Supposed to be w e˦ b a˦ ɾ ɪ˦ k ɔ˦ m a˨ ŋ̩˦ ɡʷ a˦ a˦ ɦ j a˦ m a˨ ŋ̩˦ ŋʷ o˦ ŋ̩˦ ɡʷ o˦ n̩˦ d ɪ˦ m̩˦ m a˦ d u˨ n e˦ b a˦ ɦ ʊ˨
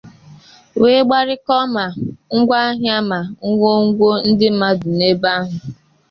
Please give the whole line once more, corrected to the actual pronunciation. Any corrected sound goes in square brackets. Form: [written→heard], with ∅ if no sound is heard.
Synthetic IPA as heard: w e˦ [b→ɡ͡b] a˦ ɾ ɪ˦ k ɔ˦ m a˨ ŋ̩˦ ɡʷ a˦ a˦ ɦ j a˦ m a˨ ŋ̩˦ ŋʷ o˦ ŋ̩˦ ɡʷ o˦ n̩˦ d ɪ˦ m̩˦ m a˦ d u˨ n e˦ b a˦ ɦ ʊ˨